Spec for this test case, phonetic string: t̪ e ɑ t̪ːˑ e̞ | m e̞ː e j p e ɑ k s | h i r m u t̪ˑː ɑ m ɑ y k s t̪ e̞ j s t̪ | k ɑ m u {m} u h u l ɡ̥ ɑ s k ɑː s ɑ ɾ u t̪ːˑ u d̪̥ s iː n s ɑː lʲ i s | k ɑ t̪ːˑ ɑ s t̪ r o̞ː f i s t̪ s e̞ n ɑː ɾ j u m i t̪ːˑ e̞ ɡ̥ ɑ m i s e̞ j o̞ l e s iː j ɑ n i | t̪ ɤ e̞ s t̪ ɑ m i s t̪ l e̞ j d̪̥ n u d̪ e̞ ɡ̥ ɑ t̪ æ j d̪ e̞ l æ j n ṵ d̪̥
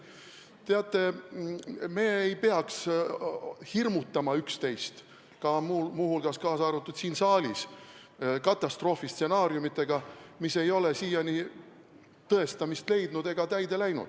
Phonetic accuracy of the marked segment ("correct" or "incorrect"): correct